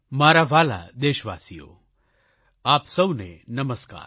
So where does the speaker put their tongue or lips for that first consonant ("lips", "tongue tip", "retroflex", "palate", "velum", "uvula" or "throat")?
lips